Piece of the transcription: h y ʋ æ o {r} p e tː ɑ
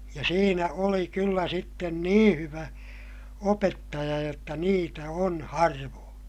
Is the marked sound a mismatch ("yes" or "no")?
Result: yes